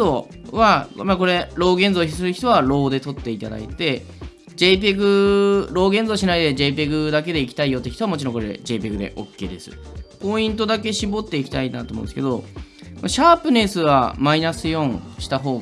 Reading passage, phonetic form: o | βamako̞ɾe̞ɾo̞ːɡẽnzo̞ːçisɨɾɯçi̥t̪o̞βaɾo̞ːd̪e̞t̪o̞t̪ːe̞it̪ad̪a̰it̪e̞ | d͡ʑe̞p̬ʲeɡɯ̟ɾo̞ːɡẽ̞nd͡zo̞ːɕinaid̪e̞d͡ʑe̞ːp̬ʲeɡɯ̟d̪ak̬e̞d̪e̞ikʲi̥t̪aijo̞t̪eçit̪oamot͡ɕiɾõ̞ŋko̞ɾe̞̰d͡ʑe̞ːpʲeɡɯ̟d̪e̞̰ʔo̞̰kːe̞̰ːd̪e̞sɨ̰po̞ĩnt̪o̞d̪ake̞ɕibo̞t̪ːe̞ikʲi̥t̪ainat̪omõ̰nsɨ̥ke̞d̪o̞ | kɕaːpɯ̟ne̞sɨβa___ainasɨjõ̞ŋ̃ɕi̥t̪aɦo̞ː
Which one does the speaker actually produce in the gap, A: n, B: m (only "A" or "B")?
B